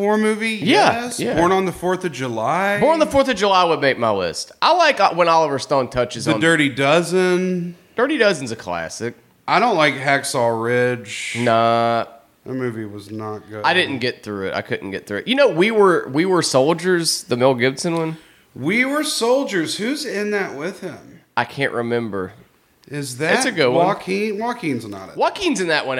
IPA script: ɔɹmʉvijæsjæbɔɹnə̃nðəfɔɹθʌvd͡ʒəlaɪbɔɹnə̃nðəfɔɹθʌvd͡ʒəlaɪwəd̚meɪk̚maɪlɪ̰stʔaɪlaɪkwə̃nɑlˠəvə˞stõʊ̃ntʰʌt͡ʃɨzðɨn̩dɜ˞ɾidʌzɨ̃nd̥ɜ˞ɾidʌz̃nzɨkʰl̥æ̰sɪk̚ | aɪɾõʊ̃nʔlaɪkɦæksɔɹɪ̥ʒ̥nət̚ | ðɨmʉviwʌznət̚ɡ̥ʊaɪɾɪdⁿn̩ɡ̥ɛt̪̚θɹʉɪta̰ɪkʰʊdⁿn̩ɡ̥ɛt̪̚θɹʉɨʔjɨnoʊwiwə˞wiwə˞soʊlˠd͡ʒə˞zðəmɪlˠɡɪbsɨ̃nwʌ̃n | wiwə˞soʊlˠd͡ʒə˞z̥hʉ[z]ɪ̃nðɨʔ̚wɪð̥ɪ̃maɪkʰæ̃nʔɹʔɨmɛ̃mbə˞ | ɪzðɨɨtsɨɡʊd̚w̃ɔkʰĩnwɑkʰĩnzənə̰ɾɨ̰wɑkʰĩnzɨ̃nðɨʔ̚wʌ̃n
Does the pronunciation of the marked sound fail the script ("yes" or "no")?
no